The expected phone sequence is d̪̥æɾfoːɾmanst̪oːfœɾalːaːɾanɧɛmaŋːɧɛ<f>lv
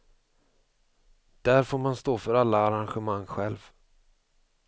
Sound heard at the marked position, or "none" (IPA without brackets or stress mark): none